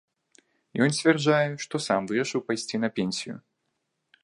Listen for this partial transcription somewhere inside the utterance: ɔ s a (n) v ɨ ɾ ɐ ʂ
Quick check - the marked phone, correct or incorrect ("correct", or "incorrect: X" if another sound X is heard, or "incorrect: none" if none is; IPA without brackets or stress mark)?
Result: incorrect: m